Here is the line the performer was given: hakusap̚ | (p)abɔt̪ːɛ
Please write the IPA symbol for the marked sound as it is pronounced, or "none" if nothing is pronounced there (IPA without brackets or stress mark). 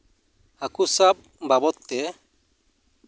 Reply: b